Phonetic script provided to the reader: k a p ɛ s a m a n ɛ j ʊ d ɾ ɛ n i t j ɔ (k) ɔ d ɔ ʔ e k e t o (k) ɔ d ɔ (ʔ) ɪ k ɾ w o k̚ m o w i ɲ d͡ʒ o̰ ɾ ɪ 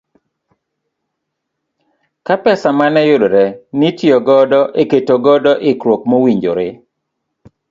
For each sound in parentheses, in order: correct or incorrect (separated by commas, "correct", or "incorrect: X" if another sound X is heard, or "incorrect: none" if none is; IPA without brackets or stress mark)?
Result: incorrect: ɡ, incorrect: ɡ, correct